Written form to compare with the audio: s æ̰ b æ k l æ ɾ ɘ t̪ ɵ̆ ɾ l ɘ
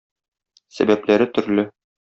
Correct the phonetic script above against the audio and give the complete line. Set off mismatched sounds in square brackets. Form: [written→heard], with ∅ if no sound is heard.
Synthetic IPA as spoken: s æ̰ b æ [k→p] l æ ɾ ɘ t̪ ɵ̆ ɾ l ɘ